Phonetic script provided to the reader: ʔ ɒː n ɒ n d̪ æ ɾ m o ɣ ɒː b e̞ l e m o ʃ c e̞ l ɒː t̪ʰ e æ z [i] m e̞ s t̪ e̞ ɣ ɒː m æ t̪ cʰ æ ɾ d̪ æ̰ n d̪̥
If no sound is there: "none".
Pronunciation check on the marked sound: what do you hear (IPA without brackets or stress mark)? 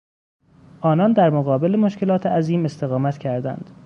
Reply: iː